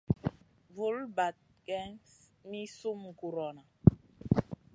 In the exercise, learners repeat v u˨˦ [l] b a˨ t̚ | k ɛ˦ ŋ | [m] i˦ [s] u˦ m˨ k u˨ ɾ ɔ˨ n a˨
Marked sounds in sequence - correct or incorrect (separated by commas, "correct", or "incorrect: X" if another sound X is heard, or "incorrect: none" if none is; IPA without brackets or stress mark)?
correct, correct, correct